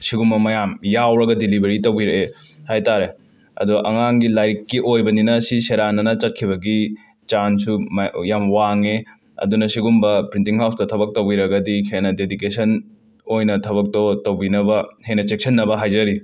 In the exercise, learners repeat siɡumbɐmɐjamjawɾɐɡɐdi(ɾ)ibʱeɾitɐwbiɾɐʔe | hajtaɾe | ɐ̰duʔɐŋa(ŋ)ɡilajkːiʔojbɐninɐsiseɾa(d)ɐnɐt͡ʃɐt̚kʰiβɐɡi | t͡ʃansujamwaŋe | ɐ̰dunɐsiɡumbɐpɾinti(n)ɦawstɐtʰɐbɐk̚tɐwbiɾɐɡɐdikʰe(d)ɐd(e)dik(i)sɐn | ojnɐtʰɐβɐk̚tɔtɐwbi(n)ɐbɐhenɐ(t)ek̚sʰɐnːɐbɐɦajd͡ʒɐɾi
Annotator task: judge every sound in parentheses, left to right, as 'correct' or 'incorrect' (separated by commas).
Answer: incorrect, correct, incorrect, incorrect, incorrect, correct, incorrect, correct, incorrect